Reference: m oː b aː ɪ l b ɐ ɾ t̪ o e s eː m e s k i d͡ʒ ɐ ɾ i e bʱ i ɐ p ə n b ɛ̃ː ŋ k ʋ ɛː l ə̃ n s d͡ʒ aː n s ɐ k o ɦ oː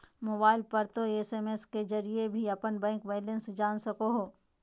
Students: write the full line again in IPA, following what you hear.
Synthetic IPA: m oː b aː ɪ l p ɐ ɾ t̪ o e s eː m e s k e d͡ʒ ɐ ɾ i e bʱ i ɐ p ə n b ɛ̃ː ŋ k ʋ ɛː l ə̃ n s d͡ʒ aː n s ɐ k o ɦ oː